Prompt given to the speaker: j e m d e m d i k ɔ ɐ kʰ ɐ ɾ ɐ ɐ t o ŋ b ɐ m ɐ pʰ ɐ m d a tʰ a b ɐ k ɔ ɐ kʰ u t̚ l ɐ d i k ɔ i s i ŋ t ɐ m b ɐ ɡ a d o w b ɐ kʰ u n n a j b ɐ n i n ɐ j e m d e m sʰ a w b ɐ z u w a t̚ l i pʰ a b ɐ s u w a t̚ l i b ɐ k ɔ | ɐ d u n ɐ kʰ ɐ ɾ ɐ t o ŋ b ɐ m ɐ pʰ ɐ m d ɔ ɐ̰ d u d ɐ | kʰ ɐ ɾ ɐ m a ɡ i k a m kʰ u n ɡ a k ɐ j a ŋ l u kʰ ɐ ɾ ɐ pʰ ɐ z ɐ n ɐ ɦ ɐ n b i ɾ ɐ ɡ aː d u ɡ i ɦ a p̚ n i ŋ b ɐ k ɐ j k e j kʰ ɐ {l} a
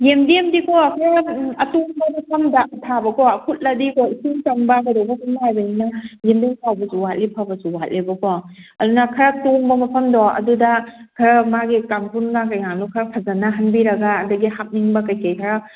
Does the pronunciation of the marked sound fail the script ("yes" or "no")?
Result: yes